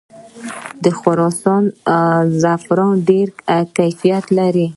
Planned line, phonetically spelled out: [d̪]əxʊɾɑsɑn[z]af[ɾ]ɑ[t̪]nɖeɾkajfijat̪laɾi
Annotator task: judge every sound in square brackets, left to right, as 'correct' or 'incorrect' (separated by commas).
correct, correct, correct, incorrect